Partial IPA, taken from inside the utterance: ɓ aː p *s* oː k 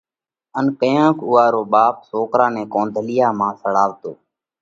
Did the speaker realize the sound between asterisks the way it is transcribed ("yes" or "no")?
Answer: yes